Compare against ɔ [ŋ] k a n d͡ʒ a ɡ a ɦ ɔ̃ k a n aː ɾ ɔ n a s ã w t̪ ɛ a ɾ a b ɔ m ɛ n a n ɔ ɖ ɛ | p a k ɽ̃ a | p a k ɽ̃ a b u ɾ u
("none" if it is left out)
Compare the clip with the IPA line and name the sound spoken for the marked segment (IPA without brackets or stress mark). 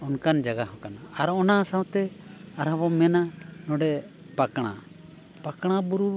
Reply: n